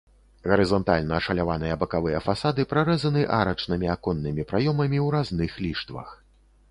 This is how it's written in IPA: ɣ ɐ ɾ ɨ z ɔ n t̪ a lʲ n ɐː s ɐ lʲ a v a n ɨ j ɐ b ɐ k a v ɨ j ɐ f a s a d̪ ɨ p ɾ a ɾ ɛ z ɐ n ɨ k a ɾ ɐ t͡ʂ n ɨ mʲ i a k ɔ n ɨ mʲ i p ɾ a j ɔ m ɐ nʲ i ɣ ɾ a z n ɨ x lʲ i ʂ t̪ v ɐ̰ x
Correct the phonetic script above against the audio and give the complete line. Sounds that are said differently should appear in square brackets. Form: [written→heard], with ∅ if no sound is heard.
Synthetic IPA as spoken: ɣ ɐ ɾ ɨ z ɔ n t̪ a lʲ n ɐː [s→ʂ] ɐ lʲ a v a n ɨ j ɐ b ɐ k a v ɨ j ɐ f a s a d̪ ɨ p ɾ a ɾ ɛ z ɐ n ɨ [k→ʔ] a ɾ ɐ t͡ʂ n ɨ mʲ i a k ɔ [n→nː] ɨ mʲ i p ɾ a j ɔ m ɐ [nʲ→mʲ] i [ɣ→w] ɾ a z n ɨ x lʲ i ʂ t̪ v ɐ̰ x